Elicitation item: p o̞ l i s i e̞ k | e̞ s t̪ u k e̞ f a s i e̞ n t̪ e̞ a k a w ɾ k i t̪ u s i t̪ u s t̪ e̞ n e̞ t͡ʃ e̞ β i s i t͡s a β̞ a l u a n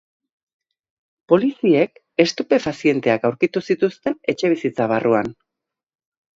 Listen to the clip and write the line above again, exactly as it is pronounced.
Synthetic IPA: p o̞ l i s i e̞ k | e̞ s t̪ u p e̞ f a s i e̞ n t̪ e̞ a k a w ɾ k i t̪ u s i t̪ u s t̪ e̞ n e̞ t͡ʃ e̞ β i s i t͡s a β̞ a r u a n